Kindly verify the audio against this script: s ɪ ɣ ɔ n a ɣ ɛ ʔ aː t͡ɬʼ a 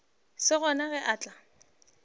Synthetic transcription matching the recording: s ɪ ɣ ɔ n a ɣ ɛ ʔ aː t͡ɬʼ a